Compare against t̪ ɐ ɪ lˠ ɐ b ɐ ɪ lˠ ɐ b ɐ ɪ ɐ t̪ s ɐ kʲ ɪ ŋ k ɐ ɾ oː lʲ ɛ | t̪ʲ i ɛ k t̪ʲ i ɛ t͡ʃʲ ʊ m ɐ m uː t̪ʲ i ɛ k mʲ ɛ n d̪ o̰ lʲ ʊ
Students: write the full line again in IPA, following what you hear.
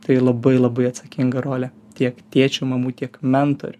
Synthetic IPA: t̪ ɐ ɪ lˠ ɐ b ɐ ɪ lˠ ɐ b ɐ ɪ ɐ t̪ s ɐ kʲ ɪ ŋ ɡ ɐ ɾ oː lʲ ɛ | t̪ʲ i ɛ k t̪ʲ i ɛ t͡ʃʲ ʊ m ɐ m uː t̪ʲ i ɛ k mʲ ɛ n t̪ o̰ ɾʲ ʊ